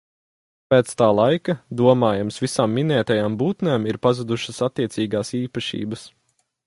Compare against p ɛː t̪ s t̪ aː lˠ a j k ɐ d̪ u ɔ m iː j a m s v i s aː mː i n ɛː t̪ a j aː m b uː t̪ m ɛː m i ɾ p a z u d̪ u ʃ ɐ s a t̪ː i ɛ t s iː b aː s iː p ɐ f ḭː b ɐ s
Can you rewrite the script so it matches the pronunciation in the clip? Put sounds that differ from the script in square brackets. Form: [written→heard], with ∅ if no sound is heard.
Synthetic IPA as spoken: p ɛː t̪ s t̪ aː lˠ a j k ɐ d̪ u ɔ m [iː→aː] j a m s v i s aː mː i n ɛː t̪ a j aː m b uː t̪ [m→n] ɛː m i ɾ p a z u d̪ u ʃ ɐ s a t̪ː i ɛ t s iː [b→ɡ] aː s iː p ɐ [f→ʃ] ḭː b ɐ s